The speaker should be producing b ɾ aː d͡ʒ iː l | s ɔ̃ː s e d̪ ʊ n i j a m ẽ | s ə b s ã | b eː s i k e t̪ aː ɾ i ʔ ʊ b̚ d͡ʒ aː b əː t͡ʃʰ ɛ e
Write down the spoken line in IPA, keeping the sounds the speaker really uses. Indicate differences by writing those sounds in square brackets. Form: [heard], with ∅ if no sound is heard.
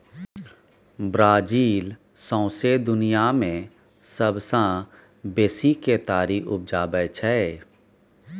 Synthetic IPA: b ɾ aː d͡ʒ iː l | s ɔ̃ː s e d̪ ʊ n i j a m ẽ | s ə b s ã | b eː s i k e t̪ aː ɾ i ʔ ʊ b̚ d͡ʒ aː b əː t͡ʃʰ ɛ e